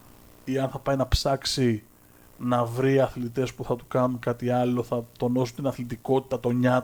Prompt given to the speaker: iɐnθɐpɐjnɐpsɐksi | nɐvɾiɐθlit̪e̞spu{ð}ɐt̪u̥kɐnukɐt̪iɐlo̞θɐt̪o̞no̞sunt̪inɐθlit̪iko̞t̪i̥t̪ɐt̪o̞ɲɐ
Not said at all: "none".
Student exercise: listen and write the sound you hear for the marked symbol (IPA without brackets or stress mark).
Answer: θ